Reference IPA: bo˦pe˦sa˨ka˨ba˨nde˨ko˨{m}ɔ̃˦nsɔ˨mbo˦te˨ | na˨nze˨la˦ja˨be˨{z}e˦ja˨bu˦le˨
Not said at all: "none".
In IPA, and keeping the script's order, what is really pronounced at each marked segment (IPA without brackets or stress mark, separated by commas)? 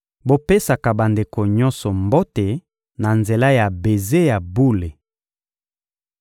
ɲ, z